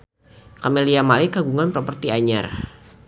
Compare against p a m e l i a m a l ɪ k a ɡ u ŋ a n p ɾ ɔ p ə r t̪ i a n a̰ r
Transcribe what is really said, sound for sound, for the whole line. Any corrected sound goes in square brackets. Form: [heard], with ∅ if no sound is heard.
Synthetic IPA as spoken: [k] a m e l i a m a l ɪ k a ɡ u ŋ a n p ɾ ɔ p ə r t̪ i a [ɲ] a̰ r